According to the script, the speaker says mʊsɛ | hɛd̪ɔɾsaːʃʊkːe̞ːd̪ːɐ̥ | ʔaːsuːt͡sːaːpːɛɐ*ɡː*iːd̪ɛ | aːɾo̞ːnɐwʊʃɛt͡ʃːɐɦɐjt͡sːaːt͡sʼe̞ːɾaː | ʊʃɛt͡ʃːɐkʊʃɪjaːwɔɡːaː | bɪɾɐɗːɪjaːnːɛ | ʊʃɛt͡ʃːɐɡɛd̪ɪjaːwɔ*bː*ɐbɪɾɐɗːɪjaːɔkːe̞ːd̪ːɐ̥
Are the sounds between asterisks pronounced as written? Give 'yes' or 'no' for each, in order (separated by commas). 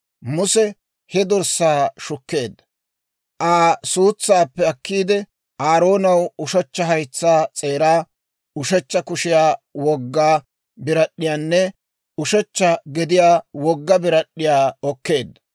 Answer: no, no